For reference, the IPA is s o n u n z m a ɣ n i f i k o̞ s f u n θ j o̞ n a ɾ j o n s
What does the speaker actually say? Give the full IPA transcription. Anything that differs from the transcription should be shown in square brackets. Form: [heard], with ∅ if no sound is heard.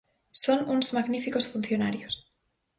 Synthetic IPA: s o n u n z m a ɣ n i f i k o̞ s f u n θ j o̞ n a ɾ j o [∅] s